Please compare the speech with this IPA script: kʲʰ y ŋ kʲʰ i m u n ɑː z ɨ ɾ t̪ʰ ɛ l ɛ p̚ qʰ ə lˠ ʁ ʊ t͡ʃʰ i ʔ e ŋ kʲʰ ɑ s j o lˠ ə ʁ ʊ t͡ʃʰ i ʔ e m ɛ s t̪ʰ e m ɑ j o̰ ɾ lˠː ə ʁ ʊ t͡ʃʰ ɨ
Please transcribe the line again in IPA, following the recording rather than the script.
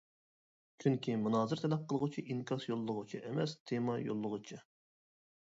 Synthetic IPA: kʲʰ y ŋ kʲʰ i m u n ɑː z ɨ ɾ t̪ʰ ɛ l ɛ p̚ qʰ ə lˠ ʁ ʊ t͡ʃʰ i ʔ i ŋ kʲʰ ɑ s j o lˠː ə ʁ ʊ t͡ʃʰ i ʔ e m ɛ s t̪ʰ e m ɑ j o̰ lˠː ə ʁ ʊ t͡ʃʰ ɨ